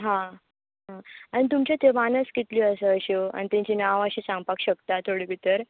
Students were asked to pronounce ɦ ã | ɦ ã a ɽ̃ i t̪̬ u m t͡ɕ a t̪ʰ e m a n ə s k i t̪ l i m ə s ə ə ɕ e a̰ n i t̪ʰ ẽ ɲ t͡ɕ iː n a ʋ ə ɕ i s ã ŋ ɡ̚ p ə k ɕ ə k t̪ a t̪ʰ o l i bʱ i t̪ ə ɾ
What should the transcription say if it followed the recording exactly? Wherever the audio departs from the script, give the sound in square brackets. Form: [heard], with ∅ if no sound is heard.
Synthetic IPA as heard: ɦ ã | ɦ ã a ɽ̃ i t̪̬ u m t͡ɕ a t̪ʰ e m a n ə s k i t̪ l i [∅] ə s ə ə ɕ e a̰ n i [t̪] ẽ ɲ t͡ɕ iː n a ʋ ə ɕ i s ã ŋ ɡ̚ p [a] k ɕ ə k t̪ a t̪ʰ o [ɽ] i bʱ i t̪ ə ɾ